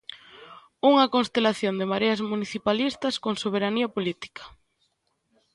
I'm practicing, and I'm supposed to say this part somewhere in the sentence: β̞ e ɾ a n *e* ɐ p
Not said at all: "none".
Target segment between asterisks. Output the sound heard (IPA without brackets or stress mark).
i